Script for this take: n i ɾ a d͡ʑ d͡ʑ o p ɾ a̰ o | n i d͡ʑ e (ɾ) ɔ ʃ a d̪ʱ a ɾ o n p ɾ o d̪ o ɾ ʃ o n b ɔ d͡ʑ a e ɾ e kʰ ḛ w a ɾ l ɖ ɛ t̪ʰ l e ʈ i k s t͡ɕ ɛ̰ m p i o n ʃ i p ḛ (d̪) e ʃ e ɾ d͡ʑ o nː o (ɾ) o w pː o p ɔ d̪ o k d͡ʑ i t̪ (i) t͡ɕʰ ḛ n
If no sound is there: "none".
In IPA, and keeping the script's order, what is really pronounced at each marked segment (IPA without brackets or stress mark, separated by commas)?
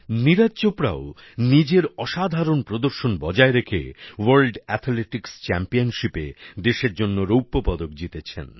ɾ, d̪, ɾ, e